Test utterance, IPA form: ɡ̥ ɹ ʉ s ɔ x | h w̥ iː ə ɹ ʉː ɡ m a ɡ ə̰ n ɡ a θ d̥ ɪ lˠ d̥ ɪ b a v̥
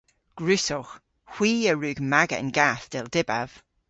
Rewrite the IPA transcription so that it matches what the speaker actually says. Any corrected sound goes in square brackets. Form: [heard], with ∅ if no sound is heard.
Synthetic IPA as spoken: ɡ̥ ɹ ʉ s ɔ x | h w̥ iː ə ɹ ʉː ɡ m a ɡ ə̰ n ɡ a θ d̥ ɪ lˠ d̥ ɪ b a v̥